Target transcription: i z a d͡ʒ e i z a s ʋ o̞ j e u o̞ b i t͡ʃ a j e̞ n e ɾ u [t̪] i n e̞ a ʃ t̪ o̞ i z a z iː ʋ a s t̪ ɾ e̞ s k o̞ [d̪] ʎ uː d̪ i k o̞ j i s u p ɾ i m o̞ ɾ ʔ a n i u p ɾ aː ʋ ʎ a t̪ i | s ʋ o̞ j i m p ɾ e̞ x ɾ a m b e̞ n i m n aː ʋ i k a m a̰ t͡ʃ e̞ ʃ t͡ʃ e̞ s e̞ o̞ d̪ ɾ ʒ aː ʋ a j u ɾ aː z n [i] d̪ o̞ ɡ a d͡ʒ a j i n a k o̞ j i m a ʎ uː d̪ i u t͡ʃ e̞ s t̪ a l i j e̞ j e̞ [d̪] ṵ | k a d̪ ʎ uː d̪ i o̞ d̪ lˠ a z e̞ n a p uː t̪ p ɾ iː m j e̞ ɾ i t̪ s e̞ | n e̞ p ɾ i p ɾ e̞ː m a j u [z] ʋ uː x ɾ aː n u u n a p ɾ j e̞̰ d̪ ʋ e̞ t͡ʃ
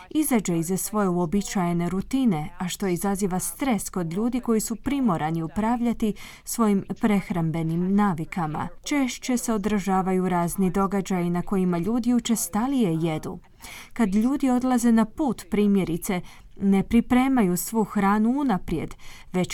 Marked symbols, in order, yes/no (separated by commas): yes, yes, yes, yes, no